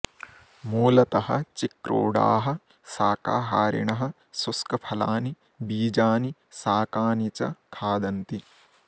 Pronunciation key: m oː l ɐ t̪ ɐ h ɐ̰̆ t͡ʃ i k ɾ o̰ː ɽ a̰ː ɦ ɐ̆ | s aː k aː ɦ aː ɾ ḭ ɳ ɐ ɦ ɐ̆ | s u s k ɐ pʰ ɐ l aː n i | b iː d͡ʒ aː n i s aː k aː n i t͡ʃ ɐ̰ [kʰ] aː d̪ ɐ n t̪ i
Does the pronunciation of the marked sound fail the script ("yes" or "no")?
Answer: no